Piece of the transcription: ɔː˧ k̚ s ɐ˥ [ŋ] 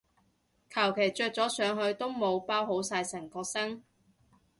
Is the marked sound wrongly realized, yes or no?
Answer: no